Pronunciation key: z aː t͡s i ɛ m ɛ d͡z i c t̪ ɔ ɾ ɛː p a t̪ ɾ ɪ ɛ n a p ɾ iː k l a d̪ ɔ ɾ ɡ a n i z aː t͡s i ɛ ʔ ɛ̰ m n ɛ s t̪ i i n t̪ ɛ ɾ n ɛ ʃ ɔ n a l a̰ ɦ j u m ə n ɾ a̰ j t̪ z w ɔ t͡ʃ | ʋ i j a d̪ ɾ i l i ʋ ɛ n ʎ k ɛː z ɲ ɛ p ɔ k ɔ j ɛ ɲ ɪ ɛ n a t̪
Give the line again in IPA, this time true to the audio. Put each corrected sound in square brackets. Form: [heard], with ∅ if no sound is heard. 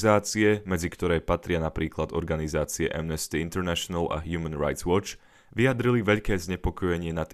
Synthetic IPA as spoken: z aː t͡s i ɛ m ɛ d͡z i [k] t̪ ɔ ɾ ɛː p a t̪ ɾ ɪ [a] n a p ɾ iː k l a d̪ ɔ ɾ ɡ a n i z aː t͡s i ɛ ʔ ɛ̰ m n ɛ s t̪ i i n t̪ ɛ ɾ n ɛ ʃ ɔ n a l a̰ ɦ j u m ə n ɾ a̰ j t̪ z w ɔ t͡ʃ | ʋ i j a d̪ ɾ i l i ʋ ɛ [∅] ʎ k ɛː z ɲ ɛ p ɔ k ɔ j ɛ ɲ ɪ ɛ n a t̪